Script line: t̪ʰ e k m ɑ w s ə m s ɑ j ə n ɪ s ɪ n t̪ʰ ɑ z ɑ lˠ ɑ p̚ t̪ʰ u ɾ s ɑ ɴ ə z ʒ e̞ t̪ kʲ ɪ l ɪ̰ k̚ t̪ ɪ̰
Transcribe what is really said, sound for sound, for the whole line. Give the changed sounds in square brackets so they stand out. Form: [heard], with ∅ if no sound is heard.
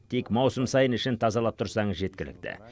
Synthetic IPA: t̪ʰ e k m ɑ w s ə m s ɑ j ə n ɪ [ʃ] ɪ n t̪ʰ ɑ z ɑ lˠ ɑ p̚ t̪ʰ [ʊ] ɾ s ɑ ɴ ə z ʒ e̞ t̪ kʲ ɪ l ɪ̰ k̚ t̪ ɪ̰